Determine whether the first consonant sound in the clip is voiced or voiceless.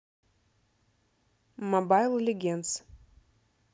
voiced